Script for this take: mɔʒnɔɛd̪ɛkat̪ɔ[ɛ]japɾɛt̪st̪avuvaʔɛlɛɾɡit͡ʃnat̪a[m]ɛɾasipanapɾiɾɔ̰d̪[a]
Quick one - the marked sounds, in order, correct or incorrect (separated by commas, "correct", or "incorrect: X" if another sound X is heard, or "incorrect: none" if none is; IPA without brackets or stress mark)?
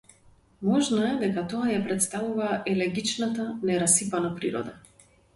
incorrect: a, incorrect: n, correct